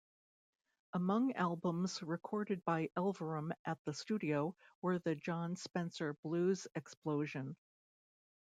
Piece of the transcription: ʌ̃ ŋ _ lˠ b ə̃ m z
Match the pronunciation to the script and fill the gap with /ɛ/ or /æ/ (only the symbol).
æ